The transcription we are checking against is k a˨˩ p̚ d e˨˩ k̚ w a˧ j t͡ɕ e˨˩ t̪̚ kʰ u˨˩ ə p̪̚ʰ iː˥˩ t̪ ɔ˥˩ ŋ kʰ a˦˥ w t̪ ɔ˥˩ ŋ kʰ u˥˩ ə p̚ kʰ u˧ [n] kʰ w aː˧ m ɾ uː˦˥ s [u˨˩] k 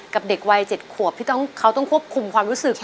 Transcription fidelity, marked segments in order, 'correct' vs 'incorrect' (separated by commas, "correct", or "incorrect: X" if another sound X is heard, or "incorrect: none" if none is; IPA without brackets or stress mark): incorrect: m, incorrect: ɯ˨˩